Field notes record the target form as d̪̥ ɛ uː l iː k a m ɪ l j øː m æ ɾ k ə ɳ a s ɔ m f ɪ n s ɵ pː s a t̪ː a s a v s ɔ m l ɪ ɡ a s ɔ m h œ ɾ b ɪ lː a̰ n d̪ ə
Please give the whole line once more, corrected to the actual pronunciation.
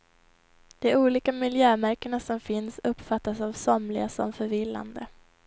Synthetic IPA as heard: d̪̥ ɛ uː l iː k a m ɪ l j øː m æ ɾ k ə ɳ a s ɔ m f ɪ n s ɵ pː f a t̪ː a s a v s ɔ m l ɪ ɡ a s ɔ m f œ ɾ v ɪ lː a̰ n d̪ ə